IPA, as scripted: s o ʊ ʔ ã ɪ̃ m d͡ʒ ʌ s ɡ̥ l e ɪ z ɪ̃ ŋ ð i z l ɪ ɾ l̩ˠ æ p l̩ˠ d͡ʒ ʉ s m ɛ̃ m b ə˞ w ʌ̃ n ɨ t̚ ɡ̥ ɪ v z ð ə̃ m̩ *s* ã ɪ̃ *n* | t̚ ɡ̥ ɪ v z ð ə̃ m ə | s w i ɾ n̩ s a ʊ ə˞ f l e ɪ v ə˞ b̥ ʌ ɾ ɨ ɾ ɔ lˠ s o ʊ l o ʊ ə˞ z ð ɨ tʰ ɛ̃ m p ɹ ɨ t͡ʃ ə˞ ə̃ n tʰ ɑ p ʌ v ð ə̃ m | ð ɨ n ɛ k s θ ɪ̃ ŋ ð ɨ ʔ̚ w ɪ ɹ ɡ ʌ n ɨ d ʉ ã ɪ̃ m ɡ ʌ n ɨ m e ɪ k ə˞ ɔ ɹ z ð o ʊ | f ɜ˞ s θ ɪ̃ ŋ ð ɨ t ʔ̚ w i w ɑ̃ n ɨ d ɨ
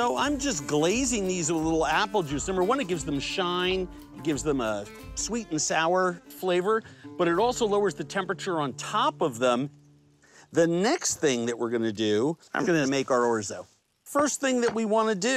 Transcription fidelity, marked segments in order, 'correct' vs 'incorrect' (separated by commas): incorrect, correct